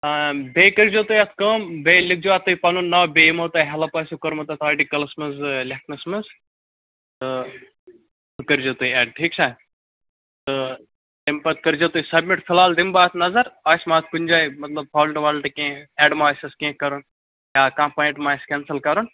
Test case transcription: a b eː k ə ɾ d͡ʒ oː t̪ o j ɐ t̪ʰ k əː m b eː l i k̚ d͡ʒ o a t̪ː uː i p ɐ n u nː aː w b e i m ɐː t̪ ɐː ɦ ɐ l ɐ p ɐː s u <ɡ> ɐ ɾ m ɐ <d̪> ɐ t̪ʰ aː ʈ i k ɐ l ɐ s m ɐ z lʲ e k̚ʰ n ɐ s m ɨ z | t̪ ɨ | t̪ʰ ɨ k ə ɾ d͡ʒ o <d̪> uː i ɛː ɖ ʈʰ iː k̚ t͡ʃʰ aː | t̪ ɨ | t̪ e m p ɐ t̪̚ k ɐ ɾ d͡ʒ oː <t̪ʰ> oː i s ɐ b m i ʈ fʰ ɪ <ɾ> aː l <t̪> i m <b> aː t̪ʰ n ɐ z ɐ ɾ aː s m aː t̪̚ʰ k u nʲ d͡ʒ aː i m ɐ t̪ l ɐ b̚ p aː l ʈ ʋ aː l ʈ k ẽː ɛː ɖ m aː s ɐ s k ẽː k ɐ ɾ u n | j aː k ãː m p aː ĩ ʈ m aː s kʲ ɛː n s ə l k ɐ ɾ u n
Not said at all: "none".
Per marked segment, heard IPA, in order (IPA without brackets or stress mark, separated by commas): k, t̪, t̪, t̪, l, d̪, b